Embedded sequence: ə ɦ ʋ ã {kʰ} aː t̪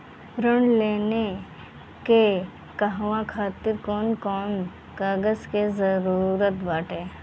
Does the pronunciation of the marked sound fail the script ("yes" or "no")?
no